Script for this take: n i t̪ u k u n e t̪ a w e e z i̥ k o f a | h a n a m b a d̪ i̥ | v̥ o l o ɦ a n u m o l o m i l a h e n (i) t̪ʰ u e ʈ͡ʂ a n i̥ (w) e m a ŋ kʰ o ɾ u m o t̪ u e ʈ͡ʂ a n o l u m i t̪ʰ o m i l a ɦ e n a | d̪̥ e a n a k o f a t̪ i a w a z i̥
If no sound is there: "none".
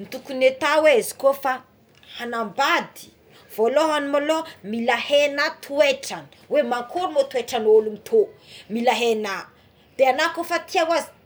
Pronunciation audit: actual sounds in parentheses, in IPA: a, w

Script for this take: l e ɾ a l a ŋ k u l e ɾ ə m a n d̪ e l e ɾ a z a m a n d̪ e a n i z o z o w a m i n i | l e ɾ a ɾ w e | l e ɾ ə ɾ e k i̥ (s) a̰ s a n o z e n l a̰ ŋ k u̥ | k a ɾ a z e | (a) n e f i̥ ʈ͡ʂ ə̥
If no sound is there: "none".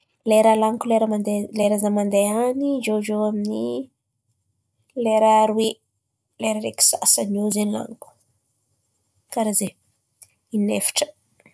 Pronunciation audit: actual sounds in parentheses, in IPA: s, i

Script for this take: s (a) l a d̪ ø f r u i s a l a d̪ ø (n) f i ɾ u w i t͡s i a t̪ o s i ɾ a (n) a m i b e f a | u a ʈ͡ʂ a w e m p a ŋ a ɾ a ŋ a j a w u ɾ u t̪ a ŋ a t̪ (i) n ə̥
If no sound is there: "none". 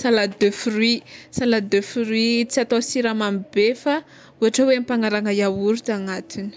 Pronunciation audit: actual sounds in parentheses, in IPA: a, none, m, i

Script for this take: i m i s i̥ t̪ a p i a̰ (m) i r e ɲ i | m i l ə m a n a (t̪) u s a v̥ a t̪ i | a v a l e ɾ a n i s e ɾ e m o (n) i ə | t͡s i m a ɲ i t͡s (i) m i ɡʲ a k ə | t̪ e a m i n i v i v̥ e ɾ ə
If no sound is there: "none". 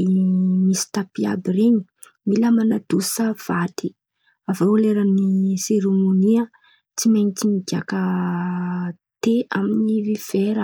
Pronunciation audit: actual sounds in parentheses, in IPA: b, d̪, n, i

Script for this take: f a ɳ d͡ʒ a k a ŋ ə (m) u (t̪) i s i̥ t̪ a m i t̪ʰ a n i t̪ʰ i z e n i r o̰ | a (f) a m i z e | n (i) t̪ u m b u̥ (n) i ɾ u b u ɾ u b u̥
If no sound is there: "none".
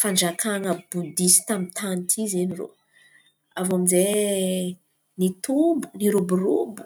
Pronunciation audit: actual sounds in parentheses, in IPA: b, d̪, v, i, n

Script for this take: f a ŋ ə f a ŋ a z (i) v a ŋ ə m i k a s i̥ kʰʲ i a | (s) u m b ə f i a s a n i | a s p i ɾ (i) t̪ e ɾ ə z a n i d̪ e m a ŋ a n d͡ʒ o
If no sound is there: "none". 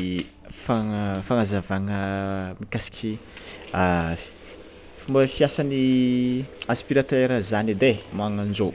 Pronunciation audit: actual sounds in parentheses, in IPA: a, f, a

